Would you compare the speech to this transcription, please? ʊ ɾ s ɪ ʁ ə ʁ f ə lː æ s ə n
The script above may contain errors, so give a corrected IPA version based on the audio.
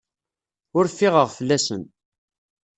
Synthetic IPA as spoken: ʊ ɾ f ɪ ʁ ə ʁ f ə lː æ s ə n